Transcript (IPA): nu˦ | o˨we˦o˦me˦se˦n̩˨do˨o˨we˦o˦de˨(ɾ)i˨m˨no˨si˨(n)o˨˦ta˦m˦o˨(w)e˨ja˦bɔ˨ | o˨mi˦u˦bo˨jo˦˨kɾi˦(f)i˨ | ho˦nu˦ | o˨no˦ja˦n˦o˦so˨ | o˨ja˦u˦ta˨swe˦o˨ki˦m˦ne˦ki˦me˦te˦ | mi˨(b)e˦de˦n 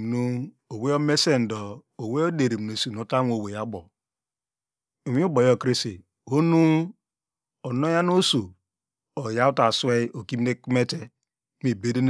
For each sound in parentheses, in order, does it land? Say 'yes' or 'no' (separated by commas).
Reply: yes, yes, yes, no, yes